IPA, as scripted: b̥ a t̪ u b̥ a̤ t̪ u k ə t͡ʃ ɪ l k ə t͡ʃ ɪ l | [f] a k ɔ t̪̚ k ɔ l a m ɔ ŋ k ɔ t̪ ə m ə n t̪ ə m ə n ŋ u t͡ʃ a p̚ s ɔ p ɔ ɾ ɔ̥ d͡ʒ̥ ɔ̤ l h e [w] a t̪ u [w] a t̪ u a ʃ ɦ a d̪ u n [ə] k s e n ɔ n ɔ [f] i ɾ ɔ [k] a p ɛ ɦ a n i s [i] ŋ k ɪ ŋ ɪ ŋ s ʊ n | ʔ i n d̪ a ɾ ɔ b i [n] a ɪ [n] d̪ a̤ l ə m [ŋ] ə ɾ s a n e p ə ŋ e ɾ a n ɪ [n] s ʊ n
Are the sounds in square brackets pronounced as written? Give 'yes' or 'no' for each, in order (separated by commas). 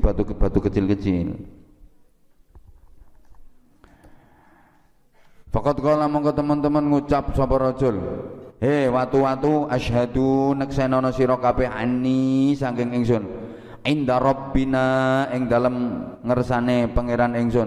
yes, yes, yes, yes, no, yes, no, yes, no, yes, no